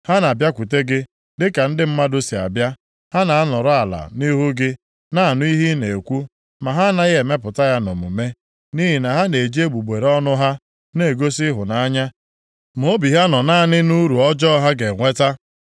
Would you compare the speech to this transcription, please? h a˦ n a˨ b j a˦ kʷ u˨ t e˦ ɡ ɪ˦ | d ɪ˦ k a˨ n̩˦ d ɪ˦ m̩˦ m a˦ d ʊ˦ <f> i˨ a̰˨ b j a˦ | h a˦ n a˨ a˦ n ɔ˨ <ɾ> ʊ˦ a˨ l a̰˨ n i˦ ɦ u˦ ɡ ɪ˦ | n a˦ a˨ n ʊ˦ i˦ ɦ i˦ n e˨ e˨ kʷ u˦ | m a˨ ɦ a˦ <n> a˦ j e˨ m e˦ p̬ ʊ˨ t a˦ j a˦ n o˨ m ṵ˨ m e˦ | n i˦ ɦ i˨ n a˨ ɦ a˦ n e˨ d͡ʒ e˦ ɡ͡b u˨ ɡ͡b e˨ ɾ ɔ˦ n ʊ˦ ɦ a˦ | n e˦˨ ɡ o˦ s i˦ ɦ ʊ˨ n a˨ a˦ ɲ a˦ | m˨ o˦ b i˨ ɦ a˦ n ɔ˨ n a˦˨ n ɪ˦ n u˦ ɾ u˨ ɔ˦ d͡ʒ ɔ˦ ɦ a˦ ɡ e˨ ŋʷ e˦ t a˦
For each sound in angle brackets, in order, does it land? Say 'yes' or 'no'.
no, yes, yes

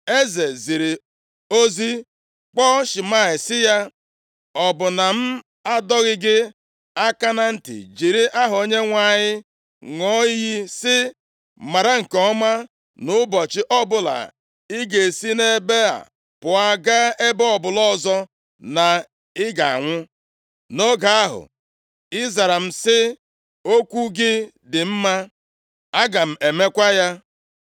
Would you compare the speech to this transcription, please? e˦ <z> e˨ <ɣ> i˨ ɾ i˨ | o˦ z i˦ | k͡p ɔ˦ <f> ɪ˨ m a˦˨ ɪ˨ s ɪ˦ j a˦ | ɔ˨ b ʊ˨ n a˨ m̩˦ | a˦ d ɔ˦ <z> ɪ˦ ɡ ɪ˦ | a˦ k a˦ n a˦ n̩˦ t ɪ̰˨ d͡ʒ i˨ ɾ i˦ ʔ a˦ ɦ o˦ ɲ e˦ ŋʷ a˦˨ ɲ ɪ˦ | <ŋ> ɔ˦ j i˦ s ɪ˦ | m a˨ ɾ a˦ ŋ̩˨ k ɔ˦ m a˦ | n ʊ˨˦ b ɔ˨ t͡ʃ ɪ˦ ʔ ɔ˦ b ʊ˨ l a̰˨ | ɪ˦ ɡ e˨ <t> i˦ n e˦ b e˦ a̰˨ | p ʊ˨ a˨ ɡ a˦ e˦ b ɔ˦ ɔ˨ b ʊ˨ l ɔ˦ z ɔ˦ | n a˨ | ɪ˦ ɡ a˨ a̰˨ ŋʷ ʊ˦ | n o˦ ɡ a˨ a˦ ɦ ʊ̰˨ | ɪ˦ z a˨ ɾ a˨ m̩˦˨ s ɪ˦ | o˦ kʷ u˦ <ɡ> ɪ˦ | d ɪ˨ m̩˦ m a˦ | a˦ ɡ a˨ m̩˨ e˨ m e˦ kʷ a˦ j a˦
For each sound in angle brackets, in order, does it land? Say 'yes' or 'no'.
yes, no, no, no, yes, no, yes

